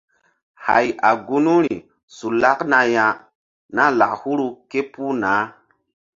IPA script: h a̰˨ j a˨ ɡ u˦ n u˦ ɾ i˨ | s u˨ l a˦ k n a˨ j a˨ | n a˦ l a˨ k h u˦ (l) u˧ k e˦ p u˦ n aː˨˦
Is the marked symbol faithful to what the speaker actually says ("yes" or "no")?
no